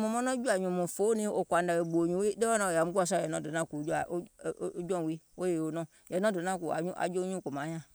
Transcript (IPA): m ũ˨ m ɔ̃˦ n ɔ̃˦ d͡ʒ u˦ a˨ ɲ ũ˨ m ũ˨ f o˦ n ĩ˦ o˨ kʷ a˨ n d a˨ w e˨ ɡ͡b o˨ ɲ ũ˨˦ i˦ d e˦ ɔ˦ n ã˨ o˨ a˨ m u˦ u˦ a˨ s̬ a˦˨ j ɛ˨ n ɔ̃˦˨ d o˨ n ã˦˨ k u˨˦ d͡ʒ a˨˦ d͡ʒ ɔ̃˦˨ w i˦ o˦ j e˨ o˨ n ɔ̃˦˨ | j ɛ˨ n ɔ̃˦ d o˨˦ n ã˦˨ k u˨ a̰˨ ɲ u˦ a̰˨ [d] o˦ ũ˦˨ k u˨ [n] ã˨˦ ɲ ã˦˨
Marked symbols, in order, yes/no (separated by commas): no, no